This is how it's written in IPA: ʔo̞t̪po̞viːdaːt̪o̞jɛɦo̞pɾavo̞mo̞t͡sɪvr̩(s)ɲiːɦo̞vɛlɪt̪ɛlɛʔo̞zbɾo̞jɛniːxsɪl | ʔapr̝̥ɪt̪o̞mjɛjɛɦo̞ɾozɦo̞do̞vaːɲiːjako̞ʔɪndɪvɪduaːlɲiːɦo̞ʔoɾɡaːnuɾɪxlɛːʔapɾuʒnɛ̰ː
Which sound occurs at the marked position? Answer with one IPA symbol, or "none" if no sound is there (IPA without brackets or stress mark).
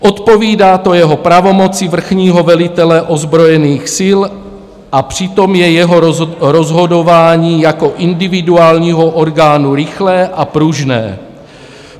x